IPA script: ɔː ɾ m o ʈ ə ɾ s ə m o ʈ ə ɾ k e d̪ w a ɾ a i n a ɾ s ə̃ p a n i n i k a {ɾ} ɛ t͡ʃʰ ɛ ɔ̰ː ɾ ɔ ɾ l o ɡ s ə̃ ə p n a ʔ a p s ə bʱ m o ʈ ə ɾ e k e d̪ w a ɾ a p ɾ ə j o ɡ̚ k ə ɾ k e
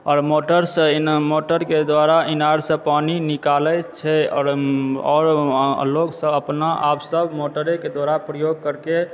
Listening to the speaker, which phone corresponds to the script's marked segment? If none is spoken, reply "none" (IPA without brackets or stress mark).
l